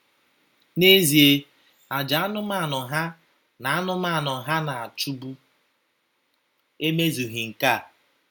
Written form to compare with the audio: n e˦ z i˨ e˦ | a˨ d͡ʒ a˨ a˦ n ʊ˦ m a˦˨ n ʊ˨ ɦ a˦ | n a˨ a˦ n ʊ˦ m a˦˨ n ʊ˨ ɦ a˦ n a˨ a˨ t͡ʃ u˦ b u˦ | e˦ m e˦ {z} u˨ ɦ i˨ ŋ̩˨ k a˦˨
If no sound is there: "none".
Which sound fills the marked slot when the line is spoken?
z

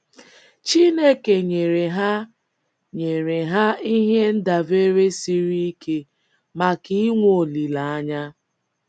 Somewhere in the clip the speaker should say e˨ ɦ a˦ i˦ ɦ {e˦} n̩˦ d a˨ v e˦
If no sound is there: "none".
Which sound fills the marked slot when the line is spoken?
e˦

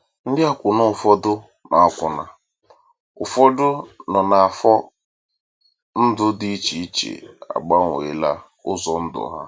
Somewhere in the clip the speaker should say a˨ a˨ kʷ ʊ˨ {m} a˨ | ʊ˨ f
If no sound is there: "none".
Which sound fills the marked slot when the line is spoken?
n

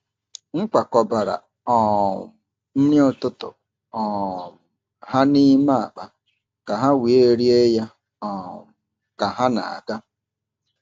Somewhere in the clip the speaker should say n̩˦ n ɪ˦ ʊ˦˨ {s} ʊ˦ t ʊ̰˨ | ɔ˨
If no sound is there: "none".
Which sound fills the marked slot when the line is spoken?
t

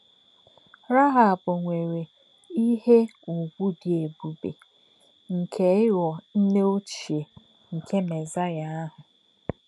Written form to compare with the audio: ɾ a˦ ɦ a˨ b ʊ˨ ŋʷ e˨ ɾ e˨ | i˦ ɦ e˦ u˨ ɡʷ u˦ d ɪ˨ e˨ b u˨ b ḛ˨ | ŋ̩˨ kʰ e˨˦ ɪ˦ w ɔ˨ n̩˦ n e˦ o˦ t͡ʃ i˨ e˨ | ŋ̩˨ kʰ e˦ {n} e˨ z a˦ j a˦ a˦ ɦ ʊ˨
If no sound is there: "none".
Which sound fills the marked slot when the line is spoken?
m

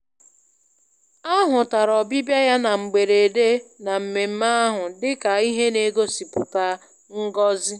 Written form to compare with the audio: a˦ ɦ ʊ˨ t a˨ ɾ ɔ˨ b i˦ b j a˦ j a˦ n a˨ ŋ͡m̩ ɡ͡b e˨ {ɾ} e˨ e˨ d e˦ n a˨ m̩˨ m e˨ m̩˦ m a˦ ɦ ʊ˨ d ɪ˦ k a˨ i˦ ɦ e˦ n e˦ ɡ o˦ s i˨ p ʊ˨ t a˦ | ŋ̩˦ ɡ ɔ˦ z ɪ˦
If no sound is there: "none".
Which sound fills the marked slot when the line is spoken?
ɾ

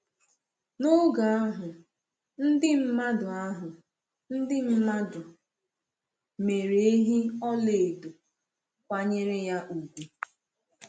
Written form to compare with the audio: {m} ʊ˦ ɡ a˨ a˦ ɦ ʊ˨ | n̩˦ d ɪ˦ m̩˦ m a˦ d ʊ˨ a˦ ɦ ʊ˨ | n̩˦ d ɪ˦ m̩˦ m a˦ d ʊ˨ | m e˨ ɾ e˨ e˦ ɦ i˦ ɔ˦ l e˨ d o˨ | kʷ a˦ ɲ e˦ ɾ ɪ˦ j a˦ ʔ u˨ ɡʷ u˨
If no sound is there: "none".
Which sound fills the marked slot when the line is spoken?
n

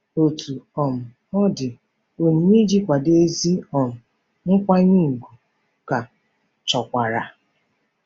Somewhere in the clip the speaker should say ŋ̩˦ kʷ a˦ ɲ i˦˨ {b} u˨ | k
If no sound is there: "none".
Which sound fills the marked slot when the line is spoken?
ɡ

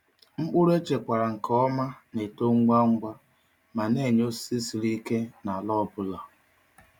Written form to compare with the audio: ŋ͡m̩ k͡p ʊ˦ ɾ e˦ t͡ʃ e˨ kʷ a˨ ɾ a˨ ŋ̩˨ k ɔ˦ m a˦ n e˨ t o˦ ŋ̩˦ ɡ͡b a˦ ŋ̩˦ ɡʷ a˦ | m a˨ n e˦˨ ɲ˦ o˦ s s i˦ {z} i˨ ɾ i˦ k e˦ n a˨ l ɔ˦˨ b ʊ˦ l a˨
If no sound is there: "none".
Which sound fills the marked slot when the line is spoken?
s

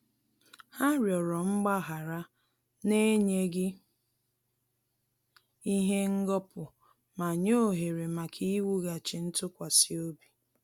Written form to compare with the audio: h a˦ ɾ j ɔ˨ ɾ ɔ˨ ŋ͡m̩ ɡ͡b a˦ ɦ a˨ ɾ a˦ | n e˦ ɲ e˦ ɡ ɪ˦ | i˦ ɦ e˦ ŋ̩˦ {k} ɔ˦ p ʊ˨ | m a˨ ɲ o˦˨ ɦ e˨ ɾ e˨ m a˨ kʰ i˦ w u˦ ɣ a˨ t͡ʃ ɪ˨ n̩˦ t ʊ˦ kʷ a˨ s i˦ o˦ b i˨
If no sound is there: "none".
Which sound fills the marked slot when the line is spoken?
ɡ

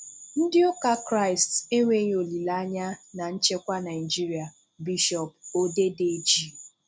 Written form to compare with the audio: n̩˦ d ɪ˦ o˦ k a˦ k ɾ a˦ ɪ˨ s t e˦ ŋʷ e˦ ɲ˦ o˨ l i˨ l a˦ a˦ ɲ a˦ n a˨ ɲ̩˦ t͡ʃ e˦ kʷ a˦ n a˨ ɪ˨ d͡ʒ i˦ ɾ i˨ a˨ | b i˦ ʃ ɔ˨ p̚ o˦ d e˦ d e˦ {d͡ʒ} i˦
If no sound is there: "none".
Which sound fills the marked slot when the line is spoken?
d͡ʒ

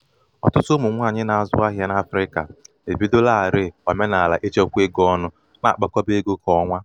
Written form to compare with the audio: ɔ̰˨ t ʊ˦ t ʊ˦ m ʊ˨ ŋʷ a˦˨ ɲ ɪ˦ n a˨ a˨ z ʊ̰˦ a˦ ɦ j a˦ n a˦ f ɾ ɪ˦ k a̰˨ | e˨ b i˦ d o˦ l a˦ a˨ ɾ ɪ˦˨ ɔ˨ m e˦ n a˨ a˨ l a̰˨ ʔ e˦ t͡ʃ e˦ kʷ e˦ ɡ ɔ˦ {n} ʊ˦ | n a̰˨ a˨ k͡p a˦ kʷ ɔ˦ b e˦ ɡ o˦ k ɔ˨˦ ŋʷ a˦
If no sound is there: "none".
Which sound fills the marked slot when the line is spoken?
n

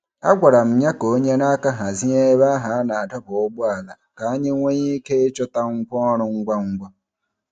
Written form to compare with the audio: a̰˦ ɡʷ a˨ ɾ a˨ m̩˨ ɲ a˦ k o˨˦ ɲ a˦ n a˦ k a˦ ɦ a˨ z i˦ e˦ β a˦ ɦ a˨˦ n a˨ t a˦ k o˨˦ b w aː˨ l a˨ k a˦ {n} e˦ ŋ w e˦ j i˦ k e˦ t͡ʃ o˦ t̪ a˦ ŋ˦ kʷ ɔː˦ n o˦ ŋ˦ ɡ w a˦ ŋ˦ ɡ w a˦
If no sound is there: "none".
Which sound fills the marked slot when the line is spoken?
ɲ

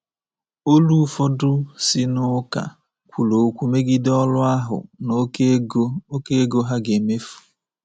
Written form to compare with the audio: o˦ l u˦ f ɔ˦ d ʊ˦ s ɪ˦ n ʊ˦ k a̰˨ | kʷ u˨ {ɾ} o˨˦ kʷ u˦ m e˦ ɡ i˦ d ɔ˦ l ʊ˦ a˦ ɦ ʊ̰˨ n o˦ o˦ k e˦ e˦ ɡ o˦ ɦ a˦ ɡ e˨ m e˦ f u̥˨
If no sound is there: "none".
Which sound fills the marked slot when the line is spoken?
l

